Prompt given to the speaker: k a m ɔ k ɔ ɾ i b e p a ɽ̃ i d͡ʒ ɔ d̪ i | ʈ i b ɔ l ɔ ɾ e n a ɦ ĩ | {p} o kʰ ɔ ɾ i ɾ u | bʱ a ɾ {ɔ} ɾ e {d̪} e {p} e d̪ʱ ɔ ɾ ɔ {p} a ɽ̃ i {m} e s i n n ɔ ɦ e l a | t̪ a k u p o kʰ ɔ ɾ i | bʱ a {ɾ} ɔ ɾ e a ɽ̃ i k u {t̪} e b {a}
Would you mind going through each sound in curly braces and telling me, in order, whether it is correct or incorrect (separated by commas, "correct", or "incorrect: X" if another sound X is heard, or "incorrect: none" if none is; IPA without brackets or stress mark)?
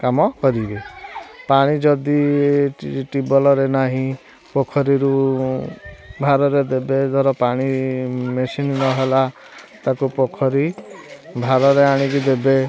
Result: correct, correct, correct, incorrect: b, correct, correct, correct, incorrect: d̪, incorrect: e